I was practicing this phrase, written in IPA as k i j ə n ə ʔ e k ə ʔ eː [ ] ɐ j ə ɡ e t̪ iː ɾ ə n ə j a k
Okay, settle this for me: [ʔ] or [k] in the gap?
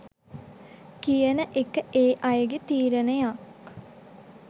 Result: ʔ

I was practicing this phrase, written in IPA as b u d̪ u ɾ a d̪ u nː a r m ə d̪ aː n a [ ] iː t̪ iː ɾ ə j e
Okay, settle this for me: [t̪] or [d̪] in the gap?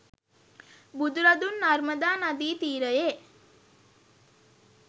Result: d̪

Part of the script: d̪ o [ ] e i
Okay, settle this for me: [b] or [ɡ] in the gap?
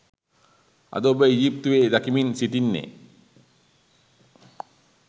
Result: b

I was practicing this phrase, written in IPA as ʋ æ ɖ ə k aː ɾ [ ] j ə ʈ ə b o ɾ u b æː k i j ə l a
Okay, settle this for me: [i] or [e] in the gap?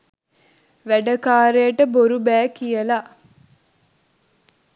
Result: e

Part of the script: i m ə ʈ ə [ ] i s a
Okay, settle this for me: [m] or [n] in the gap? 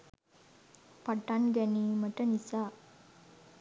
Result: n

